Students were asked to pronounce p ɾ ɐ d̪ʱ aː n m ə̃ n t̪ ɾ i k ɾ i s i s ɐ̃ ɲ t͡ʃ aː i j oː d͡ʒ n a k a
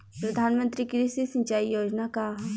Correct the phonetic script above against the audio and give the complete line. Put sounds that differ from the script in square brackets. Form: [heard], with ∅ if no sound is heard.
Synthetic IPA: p ɾ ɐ d̪ʱ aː n m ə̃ n t̪ ɾ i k ɾ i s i s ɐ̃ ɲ t͡ʃ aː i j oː d͡ʒ n a k a